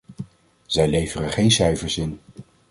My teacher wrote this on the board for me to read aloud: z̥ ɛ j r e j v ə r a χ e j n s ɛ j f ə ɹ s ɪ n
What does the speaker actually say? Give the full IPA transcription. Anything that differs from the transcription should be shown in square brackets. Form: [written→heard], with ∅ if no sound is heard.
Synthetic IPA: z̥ ɛ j [r→l] e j v ə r [a→ə] χ e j n s ɛ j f ə ɹ s ɪ n